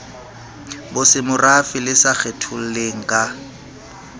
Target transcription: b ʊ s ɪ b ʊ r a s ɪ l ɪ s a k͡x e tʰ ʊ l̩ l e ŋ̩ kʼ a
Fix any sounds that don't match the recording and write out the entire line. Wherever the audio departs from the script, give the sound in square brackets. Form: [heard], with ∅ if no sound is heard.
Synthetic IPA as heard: b ʊ s ɪ [m] ʊ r a [f] ɪ l ɪ s a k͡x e tʰ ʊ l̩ l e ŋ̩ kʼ a